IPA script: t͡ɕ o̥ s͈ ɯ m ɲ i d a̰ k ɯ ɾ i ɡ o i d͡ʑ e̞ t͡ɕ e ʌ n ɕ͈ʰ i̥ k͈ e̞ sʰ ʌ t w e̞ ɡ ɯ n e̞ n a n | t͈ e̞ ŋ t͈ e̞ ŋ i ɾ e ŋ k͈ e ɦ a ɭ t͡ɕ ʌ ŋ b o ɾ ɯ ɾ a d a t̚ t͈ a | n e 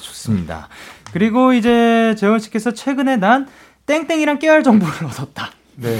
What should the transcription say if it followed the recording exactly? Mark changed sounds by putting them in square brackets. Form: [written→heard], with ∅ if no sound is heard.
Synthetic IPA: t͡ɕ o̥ s͈ ɯ m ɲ i d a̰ k ɯ ɾ i ɡ o i d͡ʑ e̞ t͡ɕ e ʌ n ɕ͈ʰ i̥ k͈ e̞ sʰ ʌ [t→t͡ɕʰ] w e̞ ɡ ɯ n e̞ n a n | t͈ e̞ ŋ t͈ e̞ ŋ i ɾ [e→a] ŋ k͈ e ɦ a ɭ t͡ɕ ʌ ŋ b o ɾ ɯ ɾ [a→ʌ] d [a→ʌ] t̚ t͈ a | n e